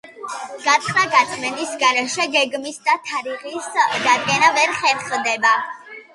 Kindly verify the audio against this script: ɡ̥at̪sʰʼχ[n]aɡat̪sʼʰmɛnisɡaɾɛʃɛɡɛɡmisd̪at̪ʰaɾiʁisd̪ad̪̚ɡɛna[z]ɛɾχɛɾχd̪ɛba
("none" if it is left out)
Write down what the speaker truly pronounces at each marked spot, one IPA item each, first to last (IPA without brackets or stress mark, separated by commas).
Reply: n, v